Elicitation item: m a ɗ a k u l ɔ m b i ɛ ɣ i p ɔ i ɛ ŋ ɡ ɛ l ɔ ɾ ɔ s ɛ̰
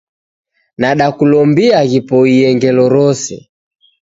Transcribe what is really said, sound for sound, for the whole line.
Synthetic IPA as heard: n a ɗ a k u l ɔ m b i a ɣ i p ɔ i ɛ ŋ ɡ ɛ l ɔ ɾ ɔ s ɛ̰